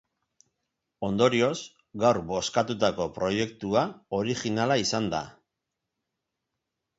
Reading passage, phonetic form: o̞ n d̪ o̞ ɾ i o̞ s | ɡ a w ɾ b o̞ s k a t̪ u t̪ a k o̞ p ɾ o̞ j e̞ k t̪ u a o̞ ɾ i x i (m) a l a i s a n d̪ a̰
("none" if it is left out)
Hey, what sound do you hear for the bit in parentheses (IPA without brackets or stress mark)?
n